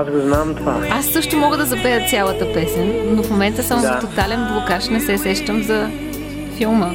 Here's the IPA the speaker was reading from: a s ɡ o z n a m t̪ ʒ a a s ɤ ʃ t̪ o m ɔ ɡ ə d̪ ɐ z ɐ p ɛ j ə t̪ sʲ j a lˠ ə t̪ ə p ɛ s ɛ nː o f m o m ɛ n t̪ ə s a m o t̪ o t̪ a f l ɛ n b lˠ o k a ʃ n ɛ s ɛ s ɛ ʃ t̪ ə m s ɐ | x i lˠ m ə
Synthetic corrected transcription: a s ɡ o z n a m t̪ v a a sː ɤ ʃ t̪ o m ɔ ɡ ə d̪ ɐ z ɐ p ɛ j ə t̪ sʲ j a lˠ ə t̪ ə p ɛ s ɛ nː o f m o m ɛ n t̪ ə s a m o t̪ o t̪ a l ɛ n b lˠ o k a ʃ n ɛ s ɛ s ɛ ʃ t̪ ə m z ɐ | f i lˠ m ə